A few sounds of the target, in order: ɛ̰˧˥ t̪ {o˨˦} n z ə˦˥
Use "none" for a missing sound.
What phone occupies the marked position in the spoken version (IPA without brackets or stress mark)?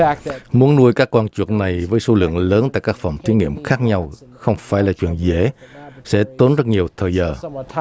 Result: o˨˦